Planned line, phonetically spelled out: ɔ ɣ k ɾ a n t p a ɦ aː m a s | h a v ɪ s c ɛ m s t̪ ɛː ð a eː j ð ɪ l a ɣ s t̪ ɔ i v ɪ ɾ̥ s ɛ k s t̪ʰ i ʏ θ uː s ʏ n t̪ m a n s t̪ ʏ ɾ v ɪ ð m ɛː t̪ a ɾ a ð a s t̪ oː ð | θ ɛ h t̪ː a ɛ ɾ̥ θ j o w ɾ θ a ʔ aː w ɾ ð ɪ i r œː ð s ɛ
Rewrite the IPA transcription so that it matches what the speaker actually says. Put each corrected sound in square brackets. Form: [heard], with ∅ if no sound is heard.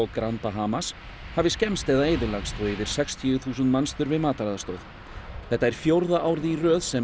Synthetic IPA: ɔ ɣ k ɾ a n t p a ɦ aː m a s | h a v ɪ s c ɛ m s t̪ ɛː ð a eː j ð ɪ l a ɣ s t̪ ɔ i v ɪ ɾ̥ s ɛ k s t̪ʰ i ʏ θ uː s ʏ n t̪ m a n s t̪ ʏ ɾ v ɪ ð m [aː] t̪ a ɾ a ð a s t̪ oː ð | θ ɛ h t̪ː a ɛ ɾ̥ [f] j o w ɾ [ð] a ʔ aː w ɾ ð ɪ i r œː ð s ɛ